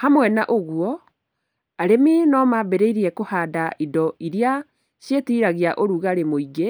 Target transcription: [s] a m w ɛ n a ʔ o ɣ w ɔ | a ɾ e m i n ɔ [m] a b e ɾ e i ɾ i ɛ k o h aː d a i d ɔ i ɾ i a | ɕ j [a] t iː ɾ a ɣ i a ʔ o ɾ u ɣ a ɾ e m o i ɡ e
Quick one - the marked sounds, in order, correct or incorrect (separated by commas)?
incorrect, correct, incorrect